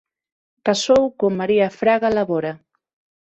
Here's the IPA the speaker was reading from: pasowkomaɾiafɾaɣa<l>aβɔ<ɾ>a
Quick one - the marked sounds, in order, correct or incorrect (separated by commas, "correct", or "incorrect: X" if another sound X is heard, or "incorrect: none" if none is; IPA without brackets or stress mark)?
correct, correct